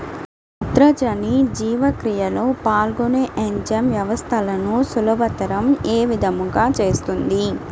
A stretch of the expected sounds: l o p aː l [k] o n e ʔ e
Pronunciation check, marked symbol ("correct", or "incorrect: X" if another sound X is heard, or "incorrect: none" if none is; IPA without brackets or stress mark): incorrect: ɡ